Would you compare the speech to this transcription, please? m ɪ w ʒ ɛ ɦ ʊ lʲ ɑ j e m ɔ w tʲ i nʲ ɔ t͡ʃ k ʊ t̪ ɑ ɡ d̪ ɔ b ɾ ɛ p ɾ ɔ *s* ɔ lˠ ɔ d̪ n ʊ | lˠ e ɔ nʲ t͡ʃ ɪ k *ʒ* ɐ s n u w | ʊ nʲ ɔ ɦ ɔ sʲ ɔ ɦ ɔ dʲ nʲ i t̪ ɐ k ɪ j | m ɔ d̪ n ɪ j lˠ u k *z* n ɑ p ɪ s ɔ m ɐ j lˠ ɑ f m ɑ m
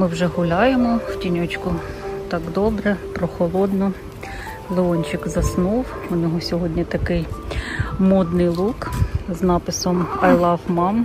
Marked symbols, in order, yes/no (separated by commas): no, no, yes